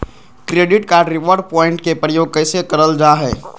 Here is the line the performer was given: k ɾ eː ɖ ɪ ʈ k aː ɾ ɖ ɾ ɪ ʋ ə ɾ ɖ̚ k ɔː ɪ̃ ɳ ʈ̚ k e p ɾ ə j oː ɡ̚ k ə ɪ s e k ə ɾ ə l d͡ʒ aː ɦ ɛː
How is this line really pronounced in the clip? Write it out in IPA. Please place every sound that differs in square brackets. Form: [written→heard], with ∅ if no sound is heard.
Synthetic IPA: k ɾ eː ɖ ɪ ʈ k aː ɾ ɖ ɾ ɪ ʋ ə ɾ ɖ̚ [k→p] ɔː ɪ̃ ɳ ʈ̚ k e p ɾ ə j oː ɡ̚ k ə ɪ s e k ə ɾ ə l d͡ʒ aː ɦ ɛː